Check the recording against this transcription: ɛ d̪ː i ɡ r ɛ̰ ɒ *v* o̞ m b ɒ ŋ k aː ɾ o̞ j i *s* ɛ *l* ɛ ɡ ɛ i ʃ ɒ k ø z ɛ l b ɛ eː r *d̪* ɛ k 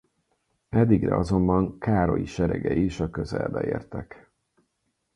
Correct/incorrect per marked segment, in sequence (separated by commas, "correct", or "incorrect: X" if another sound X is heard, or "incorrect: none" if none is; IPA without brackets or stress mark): incorrect: z, incorrect: ʃ, incorrect: ɾ, incorrect: t̪